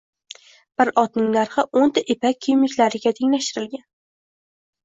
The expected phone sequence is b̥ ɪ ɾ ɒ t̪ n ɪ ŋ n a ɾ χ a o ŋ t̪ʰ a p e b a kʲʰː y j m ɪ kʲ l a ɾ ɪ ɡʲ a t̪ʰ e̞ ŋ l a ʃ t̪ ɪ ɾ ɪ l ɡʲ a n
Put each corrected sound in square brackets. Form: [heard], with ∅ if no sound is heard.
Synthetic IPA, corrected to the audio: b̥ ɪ ɾ ɒ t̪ n ɪ ŋ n a ɾ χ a o [n] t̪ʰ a [ʔ] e [p] a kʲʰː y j m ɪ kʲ l a ɾ ɪ ɡʲ a t̪ʰ e̞ ŋ l a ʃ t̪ ɪ ɾ ɪ l ɡʲ a n